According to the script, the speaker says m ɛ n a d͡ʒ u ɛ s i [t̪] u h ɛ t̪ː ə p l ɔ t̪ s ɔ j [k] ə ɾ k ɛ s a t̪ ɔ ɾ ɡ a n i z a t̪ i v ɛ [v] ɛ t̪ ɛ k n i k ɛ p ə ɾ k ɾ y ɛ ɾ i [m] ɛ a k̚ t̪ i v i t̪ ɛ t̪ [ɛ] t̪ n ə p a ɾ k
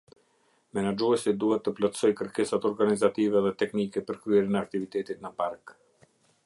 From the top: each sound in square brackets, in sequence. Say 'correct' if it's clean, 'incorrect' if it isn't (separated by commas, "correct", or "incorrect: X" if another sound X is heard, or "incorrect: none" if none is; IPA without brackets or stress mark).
incorrect: d̪, correct, incorrect: ð, incorrect: n, incorrect: i